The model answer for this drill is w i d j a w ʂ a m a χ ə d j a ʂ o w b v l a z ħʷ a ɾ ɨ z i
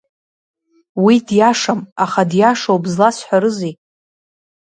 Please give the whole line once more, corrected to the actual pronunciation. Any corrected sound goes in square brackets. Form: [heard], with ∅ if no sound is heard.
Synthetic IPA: w i d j a [∅] ʂ a m a χ [a] d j a ʂ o w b [z] l a [s] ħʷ a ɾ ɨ z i